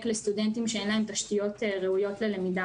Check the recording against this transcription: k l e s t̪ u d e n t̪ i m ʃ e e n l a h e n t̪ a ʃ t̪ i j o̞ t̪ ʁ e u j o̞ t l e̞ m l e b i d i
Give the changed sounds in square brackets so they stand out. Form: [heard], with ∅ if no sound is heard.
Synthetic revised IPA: k l e s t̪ u d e n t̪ i m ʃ e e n l a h e [m] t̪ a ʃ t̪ i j o̞ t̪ ʁ e u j o̞ t l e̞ [∅] l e [m] i d [a]